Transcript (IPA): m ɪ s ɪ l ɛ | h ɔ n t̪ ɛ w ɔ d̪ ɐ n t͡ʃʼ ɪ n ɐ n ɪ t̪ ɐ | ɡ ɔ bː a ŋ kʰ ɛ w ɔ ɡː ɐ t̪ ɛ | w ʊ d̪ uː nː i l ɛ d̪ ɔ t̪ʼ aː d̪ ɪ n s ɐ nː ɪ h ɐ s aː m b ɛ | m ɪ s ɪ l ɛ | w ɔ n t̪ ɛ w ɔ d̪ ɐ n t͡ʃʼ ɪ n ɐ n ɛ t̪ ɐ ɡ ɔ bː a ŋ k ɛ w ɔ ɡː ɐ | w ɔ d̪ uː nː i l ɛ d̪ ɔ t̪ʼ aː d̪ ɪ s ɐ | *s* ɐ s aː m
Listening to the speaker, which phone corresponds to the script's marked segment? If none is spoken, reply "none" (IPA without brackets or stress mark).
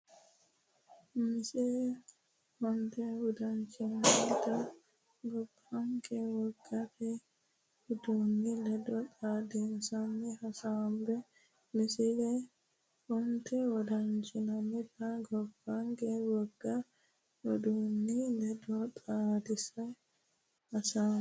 h